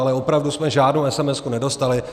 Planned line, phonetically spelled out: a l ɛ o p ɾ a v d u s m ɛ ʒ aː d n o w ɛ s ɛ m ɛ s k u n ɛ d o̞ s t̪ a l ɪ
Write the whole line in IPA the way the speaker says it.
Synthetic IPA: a l ɛ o p ɾ a v d u s m ɛ ʒ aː d n o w ɛ s ɛ m ɛ s k u n ɛ d o̞ s t̪ a l ɪ